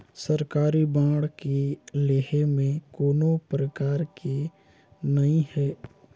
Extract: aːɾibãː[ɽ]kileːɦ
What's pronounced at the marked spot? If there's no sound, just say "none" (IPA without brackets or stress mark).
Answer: ɽ